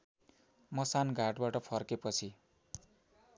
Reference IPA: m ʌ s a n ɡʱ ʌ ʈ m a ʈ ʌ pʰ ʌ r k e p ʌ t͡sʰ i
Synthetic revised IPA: m ʌ s a n ɡʱ a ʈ b a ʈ ʌ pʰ ʌ r k e p ʌ t͡sʰ i